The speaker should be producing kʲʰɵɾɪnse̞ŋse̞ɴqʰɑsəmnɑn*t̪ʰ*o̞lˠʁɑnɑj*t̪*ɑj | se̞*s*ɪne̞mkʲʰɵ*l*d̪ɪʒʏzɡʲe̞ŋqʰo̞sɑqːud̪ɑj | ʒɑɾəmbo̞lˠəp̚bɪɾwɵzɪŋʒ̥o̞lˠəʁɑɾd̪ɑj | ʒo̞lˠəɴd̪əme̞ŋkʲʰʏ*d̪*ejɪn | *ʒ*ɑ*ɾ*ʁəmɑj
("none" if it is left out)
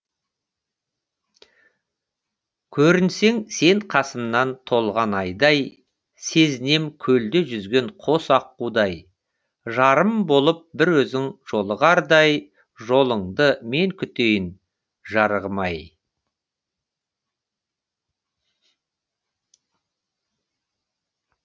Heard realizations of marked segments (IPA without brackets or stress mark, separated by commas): t̪ʰ, d̪, z, l, t̪, ʒ, ɾ